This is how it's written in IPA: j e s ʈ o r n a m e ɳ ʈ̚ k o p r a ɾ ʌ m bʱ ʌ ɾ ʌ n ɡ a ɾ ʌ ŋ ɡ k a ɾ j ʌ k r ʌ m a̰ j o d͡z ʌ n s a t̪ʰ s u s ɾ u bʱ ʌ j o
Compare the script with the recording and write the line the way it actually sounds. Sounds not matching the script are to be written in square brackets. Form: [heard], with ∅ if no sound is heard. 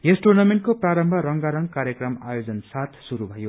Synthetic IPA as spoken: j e s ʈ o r n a m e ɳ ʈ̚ k o p r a ɾ ʌ m bʱ ʌ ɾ ʌ [ŋ] ɡ a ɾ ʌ ŋ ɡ k a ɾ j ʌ k r ʌ m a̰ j o d͡z ʌ n s a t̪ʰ s u [∅] ɾ u bʱ ʌ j o